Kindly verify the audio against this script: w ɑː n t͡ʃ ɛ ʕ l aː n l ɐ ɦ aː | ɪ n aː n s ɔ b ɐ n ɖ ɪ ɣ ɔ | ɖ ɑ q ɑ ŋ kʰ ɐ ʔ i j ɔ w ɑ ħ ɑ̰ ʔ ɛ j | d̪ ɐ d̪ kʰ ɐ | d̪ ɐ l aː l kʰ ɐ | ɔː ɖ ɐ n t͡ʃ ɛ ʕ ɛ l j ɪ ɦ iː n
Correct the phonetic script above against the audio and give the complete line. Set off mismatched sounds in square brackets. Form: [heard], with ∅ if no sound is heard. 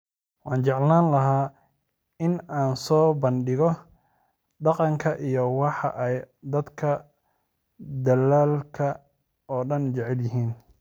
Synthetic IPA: w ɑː n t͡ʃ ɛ ʕ l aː n l ɐ ɦ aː | ɪ n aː n s [ɔː] b ɐ n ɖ ɪ ɣ ɔ | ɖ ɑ q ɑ ŋ kʰ ɐ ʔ i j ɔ w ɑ ħ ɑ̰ ʔ ɛ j | d̪ ɐ d̪ kʰ ɐ | d̪ ɐ l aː l kʰ ɐ | ɔː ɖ ɐ n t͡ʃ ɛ ʕ ɛ l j ɪ ɦ iː n